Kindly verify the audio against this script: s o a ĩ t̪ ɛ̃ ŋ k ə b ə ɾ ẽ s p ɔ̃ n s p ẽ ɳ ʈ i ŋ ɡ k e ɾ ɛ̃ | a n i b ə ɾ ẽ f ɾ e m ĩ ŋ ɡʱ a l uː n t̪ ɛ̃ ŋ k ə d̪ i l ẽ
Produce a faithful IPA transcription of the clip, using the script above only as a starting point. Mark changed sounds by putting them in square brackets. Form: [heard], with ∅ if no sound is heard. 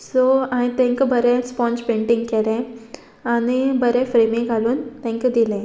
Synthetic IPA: s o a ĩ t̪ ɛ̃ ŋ k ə b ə ɾ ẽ s p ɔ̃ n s p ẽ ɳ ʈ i ŋ ɡ k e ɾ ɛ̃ | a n i b ə ɾ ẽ f ɾ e m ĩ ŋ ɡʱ a l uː n t̪ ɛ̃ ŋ k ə d̪ i l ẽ